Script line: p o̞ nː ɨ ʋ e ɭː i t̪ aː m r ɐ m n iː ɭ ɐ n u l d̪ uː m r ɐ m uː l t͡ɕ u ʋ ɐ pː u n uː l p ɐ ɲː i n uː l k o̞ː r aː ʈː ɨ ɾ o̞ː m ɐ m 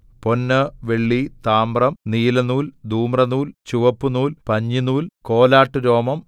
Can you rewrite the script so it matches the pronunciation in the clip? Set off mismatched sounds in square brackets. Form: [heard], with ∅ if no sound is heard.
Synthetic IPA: p o̞ nː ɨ ʋ e ɭː i t̪ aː m r ɐ m n iː [l] ɐ n [uː] l d̪ uː m r ɐ [n] uː l t͡ɕ u ʋ ɐ pː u n uː l p ɐ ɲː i n uː l k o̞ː [l] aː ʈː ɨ ɾ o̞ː m ɐ m